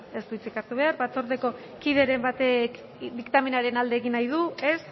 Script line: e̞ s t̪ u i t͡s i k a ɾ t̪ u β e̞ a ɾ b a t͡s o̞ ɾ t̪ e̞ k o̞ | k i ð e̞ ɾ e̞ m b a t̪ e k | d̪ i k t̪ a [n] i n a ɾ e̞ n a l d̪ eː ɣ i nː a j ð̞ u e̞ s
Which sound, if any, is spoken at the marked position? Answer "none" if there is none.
m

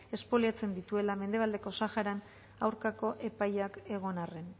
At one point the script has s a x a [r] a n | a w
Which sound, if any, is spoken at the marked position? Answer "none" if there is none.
ɾ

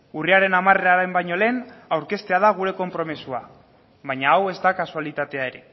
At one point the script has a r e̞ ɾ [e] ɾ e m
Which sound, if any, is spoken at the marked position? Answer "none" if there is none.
a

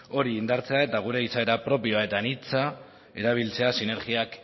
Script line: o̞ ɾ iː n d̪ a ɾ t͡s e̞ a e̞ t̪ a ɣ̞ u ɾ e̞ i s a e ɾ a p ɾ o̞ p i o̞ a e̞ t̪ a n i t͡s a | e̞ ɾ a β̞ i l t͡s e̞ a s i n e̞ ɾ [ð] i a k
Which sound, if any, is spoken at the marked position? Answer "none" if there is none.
ɣ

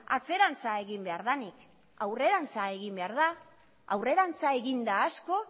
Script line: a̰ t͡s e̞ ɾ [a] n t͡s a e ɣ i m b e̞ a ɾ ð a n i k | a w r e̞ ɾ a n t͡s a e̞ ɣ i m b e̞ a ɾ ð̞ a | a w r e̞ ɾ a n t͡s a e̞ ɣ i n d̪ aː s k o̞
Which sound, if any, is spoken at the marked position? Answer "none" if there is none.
a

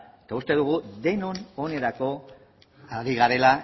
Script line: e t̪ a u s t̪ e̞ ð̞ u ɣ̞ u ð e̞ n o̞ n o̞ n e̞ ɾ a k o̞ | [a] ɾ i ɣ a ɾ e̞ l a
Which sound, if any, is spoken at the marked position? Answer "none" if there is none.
a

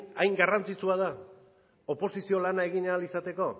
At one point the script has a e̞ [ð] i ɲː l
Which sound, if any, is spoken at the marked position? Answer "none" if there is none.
ɣ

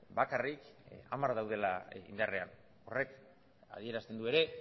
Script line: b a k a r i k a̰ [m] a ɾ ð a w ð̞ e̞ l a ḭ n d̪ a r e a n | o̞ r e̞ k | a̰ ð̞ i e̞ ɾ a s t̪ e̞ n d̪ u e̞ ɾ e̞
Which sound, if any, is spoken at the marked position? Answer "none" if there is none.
m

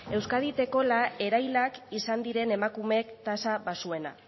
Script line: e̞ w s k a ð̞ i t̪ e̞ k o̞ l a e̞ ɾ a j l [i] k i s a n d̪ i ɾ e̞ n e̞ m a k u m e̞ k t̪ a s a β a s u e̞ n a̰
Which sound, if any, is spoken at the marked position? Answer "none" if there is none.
a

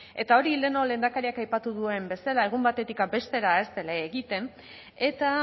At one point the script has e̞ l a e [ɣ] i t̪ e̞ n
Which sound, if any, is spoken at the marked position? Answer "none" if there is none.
ɣ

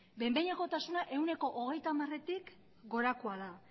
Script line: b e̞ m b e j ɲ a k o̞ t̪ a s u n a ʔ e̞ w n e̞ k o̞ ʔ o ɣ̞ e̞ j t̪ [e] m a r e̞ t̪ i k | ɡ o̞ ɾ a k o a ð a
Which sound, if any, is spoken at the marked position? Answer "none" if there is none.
a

